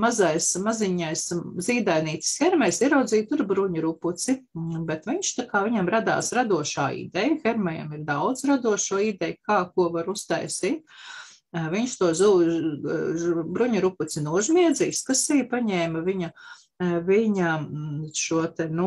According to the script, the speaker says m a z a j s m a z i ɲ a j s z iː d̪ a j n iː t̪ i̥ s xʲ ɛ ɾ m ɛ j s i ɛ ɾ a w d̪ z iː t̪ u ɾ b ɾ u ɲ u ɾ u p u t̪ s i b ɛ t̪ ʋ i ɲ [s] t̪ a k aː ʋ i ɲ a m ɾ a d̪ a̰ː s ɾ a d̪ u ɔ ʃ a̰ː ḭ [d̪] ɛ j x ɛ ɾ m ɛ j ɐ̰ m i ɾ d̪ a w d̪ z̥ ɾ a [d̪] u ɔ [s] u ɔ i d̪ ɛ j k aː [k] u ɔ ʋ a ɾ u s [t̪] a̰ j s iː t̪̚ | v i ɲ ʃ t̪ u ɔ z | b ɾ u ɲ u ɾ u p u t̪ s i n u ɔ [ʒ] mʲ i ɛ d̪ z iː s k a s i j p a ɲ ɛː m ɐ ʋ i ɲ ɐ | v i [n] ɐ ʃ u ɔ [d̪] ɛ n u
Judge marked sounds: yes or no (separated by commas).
no, yes, yes, no, yes, yes, yes, no, no